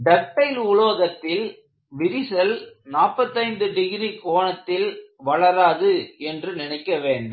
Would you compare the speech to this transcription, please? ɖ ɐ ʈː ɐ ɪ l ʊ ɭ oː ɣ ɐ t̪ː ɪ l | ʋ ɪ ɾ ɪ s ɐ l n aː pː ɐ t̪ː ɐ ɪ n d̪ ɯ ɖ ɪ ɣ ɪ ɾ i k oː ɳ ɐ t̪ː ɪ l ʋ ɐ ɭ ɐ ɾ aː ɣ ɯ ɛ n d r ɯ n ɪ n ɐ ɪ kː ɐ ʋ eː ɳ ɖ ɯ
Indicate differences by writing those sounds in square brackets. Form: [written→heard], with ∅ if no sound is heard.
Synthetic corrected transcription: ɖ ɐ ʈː ɐ ɪ l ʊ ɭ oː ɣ ɐ t̪ː ɪ l | ʋ ɪ ɾ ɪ s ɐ l n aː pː ɐ t̪ː ɐ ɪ n d̪ ɯ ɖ ɪ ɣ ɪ ɾ i k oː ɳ ɐ t̪ː ɪ l ʋ ɐ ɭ ɐ ɾ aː [ɣ→ð] ɯ ɛ n d r ɯ n ɪ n ɐ ɪ kː ɐ ʋ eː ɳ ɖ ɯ